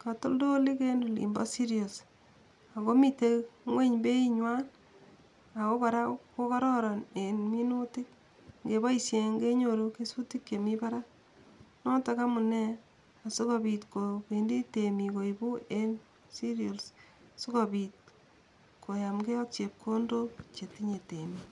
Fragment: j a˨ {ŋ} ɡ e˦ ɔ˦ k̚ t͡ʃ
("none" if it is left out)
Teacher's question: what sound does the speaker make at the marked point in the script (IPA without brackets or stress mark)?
m